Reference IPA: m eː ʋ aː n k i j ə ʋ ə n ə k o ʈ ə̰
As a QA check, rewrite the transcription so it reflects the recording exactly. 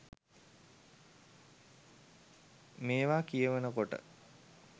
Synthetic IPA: m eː ʋ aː k i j ə ʋ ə n ə k o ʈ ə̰